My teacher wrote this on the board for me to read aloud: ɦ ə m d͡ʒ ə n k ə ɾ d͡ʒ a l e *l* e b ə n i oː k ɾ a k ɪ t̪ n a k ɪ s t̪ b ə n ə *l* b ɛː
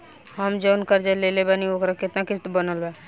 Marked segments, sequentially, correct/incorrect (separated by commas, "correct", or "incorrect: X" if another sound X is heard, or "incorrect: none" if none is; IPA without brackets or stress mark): correct, correct